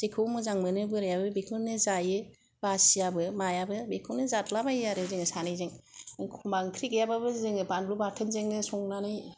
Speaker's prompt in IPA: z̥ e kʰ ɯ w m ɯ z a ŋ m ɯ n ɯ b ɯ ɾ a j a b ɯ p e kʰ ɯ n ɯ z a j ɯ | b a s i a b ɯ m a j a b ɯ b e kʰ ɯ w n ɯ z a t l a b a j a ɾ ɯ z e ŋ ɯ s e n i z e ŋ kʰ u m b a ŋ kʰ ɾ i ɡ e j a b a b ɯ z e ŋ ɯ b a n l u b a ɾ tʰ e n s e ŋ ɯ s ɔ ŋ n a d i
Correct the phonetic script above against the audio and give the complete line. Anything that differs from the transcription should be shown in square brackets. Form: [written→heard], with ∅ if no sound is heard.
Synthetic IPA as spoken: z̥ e kʰ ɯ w m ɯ z a ŋ m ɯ n ɯ b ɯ ɾ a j a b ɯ [p→b] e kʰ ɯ n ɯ z a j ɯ | b a s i a b ɯ m a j a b ɯ b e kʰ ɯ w n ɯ z a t l a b a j a ɾ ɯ z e ŋ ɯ s [e→a] n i z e ŋ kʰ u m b a ŋ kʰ ɾ i ɡ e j a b a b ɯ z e ŋ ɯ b a n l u b a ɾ tʰ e n [s→z] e ŋ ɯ s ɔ ŋ n a [d→n] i